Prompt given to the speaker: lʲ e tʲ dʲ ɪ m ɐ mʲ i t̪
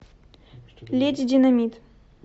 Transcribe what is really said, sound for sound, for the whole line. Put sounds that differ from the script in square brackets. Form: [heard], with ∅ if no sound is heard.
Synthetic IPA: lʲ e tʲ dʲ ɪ [n] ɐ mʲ i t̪